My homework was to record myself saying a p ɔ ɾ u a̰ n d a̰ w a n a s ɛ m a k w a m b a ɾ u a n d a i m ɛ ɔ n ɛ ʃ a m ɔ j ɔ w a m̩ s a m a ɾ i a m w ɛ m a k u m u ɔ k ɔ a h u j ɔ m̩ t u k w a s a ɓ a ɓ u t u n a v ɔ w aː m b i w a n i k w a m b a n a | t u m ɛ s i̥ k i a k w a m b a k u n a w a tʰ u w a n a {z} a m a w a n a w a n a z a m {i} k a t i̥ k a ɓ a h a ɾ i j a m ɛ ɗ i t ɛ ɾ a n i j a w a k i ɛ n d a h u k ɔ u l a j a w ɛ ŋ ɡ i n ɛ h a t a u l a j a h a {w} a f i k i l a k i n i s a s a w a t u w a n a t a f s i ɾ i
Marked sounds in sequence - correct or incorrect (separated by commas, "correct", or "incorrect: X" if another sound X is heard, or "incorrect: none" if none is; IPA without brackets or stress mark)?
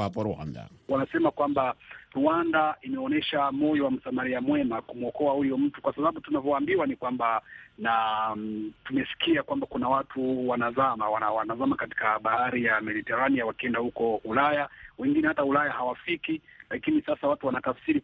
correct, incorrect: a, correct